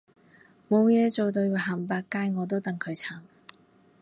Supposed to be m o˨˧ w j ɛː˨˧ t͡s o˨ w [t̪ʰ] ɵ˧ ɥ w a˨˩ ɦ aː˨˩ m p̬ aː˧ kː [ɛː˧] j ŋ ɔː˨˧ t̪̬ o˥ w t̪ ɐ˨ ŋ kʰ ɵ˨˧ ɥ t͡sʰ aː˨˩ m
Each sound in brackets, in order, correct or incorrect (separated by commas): incorrect, incorrect